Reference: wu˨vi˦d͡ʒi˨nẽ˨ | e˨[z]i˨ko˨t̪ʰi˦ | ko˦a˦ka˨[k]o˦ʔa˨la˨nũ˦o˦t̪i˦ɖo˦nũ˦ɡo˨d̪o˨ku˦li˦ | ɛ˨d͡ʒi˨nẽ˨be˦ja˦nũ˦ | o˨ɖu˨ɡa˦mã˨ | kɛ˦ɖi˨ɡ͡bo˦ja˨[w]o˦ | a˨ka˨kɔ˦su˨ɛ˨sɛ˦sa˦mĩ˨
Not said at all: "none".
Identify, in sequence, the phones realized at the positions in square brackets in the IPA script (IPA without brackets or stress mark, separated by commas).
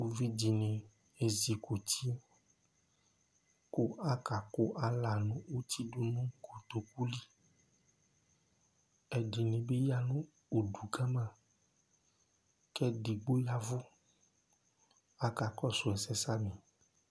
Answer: z, k, v